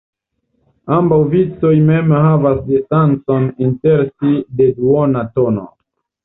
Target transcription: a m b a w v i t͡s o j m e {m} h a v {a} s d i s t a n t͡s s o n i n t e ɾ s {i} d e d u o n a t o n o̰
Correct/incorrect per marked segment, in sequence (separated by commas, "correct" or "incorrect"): correct, correct, correct